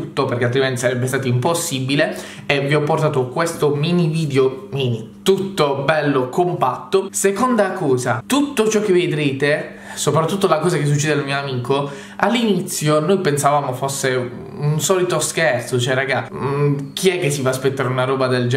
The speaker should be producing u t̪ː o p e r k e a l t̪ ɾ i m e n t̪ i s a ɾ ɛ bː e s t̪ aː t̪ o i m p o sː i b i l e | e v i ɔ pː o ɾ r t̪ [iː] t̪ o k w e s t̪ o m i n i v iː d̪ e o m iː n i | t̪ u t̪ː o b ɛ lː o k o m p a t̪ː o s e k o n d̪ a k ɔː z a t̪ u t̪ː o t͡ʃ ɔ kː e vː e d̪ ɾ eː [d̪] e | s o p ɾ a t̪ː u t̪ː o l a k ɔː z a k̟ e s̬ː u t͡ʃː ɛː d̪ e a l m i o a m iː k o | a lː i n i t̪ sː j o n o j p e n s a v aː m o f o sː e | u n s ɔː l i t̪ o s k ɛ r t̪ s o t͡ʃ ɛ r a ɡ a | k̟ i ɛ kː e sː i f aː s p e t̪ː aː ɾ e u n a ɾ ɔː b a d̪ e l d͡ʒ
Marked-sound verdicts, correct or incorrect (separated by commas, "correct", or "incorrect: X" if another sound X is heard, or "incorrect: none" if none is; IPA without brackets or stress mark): incorrect: aː, incorrect: t̪